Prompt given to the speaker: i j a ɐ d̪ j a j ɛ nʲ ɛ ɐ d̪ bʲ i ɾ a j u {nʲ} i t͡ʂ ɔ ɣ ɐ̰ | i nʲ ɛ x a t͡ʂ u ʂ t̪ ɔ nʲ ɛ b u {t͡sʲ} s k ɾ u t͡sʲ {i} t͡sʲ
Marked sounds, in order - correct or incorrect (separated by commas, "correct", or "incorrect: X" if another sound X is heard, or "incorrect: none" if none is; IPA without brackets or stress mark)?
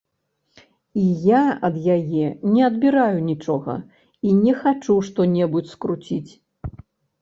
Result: correct, correct, correct